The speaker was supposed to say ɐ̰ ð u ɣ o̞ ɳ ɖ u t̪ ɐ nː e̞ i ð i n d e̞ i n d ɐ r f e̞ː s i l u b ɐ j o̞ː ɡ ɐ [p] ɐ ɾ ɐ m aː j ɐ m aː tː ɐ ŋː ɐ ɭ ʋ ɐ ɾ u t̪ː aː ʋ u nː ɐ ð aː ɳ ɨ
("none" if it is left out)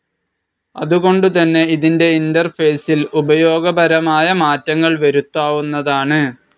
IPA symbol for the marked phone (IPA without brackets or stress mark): b